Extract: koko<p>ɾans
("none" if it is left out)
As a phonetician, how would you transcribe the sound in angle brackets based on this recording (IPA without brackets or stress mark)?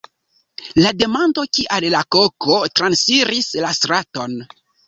t